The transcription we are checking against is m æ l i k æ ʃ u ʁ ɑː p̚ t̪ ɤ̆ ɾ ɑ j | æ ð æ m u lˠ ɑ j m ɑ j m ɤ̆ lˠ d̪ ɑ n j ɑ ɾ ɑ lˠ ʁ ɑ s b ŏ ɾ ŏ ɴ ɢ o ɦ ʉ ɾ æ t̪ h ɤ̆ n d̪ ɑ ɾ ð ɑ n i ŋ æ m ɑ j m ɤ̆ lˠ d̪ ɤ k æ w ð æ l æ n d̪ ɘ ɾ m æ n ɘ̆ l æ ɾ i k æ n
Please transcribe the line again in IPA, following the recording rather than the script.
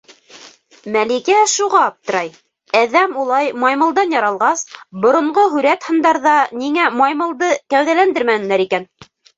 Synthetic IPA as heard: m æ l i k æ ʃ u ʁ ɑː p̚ t̪ ɤ̆ ɾ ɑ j | æ ð æ m u lˠ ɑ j m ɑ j m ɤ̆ lˠ d̪ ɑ n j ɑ ɾ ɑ lˠ ʁ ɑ s b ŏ ɾ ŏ ɴ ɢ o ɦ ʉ ɾ æ t̪ h ɤ̆ n d̪ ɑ ɾ ð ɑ n i ŋ æ m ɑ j m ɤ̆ lˠ d̪ ɤ k æ w ð æ l æ n d̪ ɘ ɾ m æ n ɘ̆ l æ ɾ i k æ n

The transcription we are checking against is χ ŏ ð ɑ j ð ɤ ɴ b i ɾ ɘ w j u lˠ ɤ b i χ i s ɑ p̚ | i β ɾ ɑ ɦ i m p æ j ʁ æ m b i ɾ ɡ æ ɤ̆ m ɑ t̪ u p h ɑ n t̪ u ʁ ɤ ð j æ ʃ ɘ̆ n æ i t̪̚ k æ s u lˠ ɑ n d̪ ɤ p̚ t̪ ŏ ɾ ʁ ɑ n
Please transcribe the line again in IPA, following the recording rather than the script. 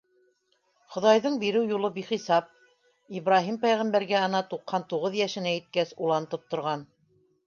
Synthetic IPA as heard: χ ŏ ð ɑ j ð ɤ ɴ b i ɾ ɘ w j u lˠ ɤ b i χ i s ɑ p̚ | i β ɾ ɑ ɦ i m p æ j ʁ æ m b æ ɾ ɡ æ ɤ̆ n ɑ t̪ u q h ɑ n t̪ u ʁ ɤ ð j æ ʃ ɘ̆ n æ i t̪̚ k æ s u lˠ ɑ n t̪ ɤ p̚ t̪ ŏ ɾ ʁ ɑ n

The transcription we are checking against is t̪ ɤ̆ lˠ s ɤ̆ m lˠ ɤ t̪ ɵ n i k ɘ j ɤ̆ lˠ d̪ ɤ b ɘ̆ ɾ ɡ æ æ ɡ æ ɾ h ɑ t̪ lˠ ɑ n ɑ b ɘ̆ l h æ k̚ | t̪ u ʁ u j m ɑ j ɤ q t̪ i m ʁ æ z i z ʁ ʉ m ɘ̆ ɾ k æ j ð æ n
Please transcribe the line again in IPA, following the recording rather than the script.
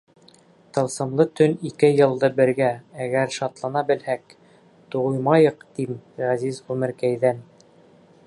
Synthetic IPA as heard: t̪ ɤ̆ lˠ s ɤ̆ m lˠ ɤ t̪ ɵ n i k ɘ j ɤ̆ lˠ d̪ ɤ b ɘ̆ ɾ ɡ æ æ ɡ æ ɾ ʃ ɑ t̪ lˠ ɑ n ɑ b ɘ̆ l h æ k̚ | t̪ u ʁ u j m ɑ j ɤ q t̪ i m ʁ æ z i z ʁ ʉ m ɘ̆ ɾ k æ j ð æ n

